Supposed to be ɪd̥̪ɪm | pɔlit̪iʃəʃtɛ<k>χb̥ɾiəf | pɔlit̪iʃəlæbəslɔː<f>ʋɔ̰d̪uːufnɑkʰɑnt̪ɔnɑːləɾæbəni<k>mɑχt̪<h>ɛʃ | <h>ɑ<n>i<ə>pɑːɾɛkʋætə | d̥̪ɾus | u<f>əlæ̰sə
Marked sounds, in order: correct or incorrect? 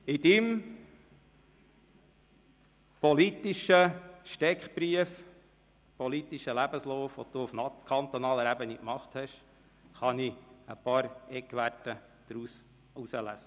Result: correct, correct, correct, correct, incorrect: χ, correct, correct, incorrect: s

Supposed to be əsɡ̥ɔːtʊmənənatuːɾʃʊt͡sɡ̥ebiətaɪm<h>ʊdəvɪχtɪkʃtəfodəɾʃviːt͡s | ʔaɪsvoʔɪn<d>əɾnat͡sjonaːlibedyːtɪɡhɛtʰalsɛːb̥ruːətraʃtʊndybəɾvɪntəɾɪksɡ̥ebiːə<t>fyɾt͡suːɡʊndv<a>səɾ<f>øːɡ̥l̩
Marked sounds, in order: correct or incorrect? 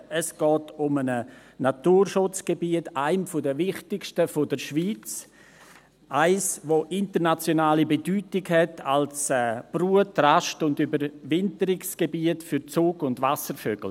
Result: incorrect: f, incorrect: t, correct, correct, correct

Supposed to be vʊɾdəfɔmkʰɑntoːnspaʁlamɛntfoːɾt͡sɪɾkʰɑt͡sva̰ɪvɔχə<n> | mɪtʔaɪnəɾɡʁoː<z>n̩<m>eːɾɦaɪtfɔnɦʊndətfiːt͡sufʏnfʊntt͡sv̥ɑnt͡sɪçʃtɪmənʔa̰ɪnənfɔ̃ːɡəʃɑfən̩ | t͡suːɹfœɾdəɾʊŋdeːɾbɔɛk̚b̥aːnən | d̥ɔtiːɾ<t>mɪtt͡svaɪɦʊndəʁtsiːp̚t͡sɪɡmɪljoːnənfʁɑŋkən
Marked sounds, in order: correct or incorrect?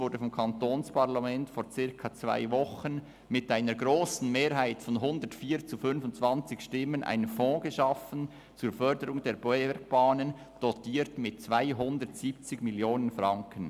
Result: correct, incorrect: s, correct, correct

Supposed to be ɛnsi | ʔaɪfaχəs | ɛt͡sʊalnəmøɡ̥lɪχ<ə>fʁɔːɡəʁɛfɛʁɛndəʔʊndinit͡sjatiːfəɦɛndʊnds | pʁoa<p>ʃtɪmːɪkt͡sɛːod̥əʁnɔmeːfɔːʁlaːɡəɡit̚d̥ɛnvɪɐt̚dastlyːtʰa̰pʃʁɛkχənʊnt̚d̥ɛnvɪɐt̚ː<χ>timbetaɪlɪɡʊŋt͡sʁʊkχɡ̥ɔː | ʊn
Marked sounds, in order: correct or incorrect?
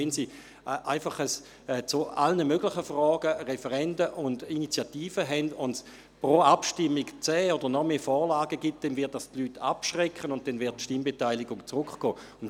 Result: correct, correct, incorrect: ʃ

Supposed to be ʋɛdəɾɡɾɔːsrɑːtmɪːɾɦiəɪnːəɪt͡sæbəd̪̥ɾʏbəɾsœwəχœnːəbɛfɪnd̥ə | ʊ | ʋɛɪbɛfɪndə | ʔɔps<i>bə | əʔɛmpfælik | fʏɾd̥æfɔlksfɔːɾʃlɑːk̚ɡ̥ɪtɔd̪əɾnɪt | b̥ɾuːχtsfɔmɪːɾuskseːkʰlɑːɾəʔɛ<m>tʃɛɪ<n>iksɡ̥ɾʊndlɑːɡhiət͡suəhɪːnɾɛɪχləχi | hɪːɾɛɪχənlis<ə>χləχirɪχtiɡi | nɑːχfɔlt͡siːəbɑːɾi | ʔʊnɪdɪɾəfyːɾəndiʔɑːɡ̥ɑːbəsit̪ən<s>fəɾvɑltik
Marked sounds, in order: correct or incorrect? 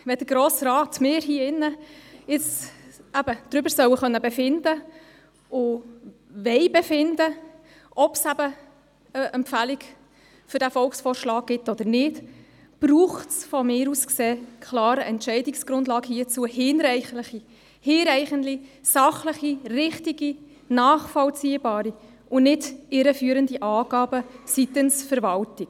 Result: incorrect: æ, incorrect: n, incorrect: d, incorrect: ɑ, correct

